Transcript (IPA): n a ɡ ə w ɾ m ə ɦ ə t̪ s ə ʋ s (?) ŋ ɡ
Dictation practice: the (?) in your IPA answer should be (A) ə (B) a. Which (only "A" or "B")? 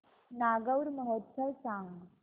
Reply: B